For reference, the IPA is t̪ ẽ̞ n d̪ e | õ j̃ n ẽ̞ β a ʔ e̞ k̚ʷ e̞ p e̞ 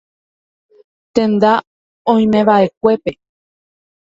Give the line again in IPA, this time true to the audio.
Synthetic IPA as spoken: t̪ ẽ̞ n d̪ a | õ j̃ m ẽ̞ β a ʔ e̞ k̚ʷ e̞ p e̞